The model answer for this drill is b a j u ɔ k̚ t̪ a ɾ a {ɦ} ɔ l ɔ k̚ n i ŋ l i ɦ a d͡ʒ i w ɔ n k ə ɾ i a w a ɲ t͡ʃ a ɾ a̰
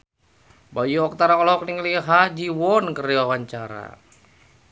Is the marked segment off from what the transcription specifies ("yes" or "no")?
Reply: yes